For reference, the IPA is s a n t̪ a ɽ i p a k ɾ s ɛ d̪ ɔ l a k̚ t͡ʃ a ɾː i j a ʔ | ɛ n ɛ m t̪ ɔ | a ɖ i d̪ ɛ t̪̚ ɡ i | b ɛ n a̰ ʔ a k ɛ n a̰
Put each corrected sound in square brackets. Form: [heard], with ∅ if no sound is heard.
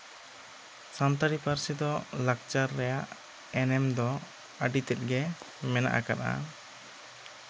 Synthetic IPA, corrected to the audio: s a n t̪ a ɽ i p a [∅] ɾ s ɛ d̪ ɔ l a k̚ t͡ʃ a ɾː [ɛ] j a ʔ | ɛ n ɛ m [d̪] ɔ | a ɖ i [t̪] ɛ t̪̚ ɡ [ɛ] | [m] ɛ n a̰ ʔ a k [a] n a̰